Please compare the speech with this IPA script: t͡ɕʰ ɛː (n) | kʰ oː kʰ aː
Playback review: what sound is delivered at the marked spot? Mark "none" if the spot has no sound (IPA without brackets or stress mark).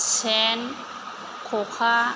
n